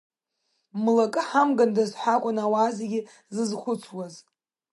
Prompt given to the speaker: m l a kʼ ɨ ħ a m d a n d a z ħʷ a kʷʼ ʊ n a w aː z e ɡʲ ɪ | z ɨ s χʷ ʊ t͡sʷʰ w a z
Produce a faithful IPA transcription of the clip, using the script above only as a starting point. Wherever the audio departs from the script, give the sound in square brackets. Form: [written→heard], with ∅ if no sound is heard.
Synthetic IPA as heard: m l a kʼ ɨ ħ a m [d→ɡ] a n d a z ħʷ a kʷʼ ʊ n a w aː z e ɡʲ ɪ | z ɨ [s→z] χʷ ʊ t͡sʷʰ w a z